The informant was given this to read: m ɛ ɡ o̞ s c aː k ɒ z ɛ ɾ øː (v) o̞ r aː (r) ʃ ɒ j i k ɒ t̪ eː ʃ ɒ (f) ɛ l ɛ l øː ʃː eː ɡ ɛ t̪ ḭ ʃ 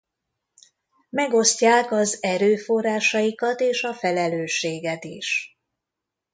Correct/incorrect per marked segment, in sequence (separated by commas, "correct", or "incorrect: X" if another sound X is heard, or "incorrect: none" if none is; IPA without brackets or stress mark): incorrect: f, incorrect: none, correct